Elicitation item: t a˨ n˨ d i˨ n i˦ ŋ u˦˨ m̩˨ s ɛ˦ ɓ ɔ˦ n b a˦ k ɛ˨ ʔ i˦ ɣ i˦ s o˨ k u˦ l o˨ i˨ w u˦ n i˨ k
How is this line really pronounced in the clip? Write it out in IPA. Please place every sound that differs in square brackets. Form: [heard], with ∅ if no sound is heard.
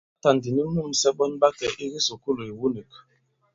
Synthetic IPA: t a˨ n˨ d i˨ n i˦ [m] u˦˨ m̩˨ s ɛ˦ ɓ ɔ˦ n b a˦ k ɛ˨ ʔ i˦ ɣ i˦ s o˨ k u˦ l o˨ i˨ w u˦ n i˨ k